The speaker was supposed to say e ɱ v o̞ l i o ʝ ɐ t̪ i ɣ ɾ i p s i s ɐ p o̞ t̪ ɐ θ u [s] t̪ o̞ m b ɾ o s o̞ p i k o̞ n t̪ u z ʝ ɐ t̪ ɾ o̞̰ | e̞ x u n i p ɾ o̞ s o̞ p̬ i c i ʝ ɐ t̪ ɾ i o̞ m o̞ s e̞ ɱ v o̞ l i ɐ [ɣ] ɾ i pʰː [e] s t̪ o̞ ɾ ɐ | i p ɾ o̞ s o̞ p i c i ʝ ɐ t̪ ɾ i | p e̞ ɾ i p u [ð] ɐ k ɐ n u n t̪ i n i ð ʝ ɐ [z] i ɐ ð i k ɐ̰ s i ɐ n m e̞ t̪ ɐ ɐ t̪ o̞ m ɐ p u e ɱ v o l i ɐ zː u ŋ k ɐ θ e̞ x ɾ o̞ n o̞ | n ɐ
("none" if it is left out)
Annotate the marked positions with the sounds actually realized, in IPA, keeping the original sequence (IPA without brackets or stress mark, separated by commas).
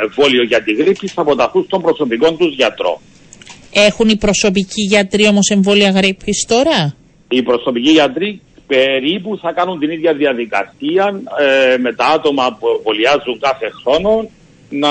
s, ɣ, i, θ, ð